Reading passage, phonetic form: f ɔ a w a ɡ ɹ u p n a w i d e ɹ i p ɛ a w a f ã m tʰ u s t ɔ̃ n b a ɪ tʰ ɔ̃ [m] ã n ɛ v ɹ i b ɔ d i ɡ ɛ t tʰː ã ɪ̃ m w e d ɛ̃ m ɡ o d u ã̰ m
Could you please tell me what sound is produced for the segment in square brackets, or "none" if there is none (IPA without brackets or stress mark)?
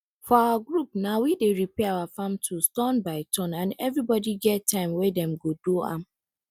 n